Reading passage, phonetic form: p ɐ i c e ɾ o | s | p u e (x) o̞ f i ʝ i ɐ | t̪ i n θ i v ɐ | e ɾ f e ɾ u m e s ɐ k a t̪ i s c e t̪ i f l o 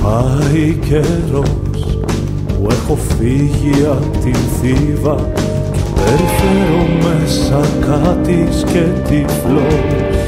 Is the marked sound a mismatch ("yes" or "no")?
no